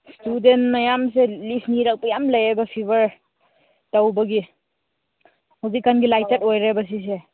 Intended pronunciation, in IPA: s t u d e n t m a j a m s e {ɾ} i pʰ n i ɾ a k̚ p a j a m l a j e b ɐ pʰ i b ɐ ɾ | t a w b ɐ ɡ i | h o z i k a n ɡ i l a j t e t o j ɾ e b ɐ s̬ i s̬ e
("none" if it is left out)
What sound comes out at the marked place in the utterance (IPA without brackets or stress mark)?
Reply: l